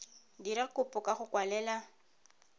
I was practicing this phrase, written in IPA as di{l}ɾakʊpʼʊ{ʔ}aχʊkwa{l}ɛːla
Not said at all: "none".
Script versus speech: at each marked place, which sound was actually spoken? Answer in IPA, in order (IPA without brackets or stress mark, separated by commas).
none, k, l